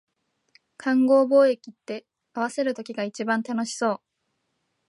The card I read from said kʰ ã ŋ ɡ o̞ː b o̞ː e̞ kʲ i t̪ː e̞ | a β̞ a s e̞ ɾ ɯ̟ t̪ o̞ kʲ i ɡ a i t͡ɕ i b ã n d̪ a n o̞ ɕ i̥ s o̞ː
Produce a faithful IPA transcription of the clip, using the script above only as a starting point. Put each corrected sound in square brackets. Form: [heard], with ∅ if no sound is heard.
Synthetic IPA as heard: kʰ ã ŋ ɡ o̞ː b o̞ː e̞ kʲ i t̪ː e̞ | a β̞ a s e̞ ɾ ɯ̟ t̪ o̞ kʲ i ɡ a i t͡ɕ i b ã n [t̪] a n o̞ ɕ i̥ s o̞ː